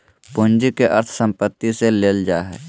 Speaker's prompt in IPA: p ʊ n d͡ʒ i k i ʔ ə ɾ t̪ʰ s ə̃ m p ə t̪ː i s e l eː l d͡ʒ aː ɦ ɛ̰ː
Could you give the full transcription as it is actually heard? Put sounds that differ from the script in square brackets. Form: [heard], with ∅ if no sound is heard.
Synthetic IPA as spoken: p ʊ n d͡ʒ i k [e] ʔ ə ɾ t̪ʰ s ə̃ m p ə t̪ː i s e l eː l d͡ʒ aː ɦ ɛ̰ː